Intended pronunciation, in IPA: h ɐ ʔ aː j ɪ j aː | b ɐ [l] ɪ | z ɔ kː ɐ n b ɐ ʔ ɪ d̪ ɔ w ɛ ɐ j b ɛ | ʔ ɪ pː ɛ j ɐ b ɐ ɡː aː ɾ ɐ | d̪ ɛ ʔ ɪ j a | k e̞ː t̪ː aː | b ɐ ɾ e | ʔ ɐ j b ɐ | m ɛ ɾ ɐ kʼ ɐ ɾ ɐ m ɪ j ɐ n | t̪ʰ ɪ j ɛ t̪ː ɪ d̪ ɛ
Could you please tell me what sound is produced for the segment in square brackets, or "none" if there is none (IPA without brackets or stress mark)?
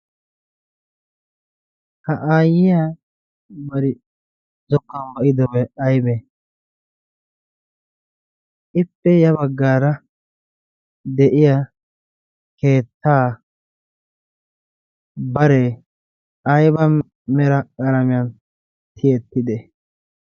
ɾ